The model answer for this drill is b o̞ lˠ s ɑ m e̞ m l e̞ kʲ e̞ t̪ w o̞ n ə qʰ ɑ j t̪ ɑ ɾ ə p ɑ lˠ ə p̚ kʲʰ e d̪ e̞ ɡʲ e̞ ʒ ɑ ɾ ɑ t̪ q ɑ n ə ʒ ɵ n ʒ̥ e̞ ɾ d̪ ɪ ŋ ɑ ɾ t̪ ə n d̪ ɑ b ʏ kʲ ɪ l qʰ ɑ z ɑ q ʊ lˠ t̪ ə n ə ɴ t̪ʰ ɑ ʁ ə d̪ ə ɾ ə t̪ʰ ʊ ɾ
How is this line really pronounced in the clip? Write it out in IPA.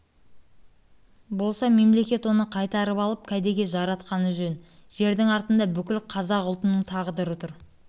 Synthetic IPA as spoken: b o̞ lˠ s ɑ m e̞ m l e̞ kʲ e̞ t̪ w o̞ n ə qʰ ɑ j t̪ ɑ ɾ ə p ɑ lˠ ə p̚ kʲʰ æ d̪ e̞ ɡʲ e̞ ʒ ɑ ɾ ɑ t̪ q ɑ n ə ʒ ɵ n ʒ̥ e̞ ɾ d̪ ɪ ŋ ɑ ɾ t̪ ə n d̪ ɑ b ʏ kʲ ɪ l qʰ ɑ z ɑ q ʊ lˠ t̪ ə n ə ɴ t̪ʰ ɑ ʁ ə d̪ ə ɾ ə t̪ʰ ʊ ɾ